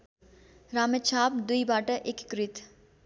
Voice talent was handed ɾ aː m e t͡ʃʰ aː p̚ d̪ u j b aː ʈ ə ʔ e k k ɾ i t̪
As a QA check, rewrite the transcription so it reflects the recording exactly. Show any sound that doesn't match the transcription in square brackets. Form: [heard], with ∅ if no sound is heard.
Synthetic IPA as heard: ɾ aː m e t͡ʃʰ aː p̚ d̪ u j b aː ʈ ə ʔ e k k ɾ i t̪